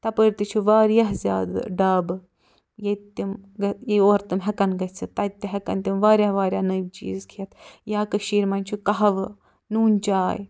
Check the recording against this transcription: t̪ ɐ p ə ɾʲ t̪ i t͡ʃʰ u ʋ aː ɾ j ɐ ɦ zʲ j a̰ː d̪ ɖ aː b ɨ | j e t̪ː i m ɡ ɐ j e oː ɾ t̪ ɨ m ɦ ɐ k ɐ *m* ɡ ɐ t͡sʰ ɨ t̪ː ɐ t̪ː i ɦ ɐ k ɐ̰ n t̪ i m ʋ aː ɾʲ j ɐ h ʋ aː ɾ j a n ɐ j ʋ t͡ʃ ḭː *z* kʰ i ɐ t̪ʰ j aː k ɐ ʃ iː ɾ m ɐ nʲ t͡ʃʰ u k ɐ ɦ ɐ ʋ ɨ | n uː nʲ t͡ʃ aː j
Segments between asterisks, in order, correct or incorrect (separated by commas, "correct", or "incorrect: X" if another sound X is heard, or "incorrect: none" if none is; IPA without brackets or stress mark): incorrect: n, correct